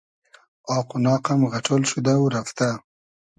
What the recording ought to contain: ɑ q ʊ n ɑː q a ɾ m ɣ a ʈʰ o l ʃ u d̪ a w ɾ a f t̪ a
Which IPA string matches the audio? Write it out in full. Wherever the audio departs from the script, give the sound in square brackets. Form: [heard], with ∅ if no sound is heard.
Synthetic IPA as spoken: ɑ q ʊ n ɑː q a [∅] m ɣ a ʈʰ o l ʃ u d̪ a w ɾ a f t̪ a